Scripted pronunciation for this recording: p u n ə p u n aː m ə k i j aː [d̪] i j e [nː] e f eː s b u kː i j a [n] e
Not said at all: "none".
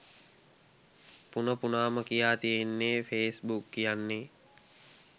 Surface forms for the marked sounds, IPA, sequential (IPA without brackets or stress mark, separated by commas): t̪, nː, nː